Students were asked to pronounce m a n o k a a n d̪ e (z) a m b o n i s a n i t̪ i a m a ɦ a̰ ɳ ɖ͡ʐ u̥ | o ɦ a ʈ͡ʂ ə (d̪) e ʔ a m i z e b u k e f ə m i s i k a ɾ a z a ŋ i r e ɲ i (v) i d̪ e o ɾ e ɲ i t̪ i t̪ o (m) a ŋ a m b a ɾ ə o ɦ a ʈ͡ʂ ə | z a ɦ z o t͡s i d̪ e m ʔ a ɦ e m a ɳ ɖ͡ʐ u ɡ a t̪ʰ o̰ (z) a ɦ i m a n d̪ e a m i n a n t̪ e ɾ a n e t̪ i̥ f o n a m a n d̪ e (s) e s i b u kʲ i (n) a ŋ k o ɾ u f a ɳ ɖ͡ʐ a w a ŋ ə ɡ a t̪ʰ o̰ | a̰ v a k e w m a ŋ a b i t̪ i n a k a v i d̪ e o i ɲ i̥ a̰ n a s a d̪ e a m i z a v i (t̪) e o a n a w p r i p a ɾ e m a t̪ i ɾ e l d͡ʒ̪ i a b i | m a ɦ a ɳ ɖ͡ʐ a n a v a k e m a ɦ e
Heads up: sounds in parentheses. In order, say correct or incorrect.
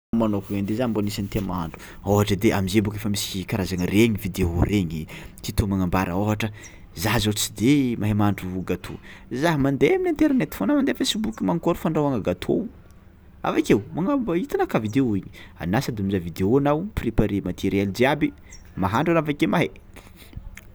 correct, correct, correct, correct, correct, incorrect: f, incorrect: m, incorrect: d̪

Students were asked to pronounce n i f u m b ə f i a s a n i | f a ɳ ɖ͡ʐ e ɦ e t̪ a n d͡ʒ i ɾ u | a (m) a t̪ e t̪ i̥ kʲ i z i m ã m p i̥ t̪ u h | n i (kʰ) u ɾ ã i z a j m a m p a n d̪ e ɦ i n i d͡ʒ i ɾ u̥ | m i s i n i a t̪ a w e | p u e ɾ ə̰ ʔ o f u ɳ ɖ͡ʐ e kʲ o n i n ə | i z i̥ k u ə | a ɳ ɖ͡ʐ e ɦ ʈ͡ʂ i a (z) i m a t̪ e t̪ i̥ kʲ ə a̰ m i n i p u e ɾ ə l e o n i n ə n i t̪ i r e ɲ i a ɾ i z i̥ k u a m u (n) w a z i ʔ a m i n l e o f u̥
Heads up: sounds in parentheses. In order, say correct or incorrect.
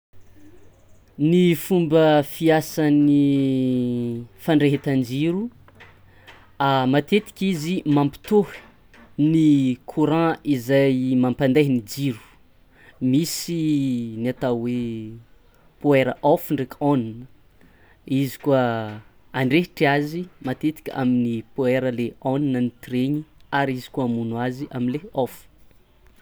correct, correct, correct, correct

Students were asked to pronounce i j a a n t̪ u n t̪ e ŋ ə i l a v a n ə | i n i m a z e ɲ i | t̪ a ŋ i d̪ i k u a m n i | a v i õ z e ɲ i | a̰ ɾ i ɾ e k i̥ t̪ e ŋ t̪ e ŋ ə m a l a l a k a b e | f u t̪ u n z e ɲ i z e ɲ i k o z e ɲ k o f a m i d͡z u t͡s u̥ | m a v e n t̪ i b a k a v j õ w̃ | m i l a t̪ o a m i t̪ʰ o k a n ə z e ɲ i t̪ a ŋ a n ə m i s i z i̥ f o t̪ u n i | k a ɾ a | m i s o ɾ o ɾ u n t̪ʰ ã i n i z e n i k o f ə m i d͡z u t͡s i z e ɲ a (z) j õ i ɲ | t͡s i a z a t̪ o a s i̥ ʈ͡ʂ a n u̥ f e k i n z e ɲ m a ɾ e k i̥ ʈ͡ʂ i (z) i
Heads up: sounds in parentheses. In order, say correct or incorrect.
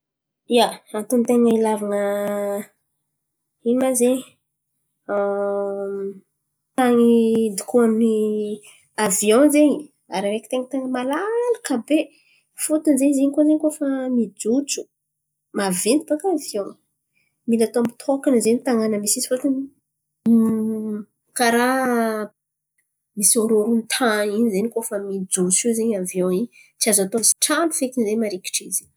incorrect: v, correct

